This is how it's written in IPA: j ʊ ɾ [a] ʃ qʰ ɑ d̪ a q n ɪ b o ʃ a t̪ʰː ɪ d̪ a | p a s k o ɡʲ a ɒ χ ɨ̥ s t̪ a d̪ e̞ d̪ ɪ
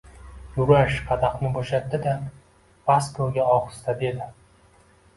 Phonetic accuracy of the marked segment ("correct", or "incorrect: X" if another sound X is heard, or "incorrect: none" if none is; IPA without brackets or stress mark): correct